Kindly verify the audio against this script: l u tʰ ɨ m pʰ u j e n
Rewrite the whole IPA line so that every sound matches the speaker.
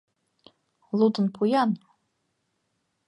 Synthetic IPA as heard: l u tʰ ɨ n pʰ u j a n

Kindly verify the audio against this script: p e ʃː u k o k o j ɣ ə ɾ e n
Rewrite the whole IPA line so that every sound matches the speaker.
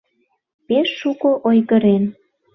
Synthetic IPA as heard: p e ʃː u k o ʔ o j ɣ ə ɾ e n

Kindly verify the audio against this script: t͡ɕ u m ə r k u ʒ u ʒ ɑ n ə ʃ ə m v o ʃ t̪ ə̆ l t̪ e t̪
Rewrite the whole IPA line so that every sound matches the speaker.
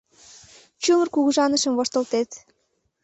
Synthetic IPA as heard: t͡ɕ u m ə r k u ɣ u ʒ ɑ n ə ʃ ə m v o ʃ t̪ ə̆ l t̪ e t̪

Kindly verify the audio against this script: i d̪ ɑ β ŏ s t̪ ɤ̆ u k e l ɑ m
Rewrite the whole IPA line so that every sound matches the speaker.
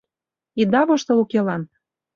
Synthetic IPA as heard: i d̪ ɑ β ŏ ʃ t̪ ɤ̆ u k e l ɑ n

